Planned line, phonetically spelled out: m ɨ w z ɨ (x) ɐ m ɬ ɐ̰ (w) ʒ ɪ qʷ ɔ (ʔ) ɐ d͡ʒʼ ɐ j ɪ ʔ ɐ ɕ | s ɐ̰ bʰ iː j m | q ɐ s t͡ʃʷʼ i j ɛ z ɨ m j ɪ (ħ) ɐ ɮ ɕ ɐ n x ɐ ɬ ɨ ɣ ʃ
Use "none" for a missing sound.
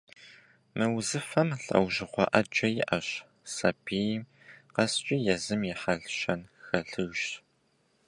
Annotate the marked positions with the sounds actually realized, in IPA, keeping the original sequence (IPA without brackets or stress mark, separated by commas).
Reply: f, w, ʔ, ħ